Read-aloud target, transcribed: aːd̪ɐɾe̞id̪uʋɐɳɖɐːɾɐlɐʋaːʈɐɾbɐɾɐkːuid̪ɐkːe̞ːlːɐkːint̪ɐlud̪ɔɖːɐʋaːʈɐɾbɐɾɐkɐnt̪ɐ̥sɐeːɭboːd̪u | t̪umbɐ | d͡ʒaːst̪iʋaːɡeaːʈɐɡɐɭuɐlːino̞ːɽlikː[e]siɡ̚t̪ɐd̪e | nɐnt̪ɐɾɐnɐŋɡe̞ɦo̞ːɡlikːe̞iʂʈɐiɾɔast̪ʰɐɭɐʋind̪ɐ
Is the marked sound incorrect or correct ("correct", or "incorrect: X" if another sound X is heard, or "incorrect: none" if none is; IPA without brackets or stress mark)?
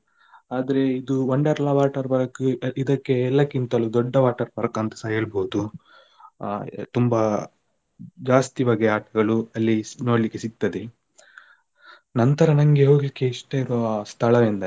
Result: correct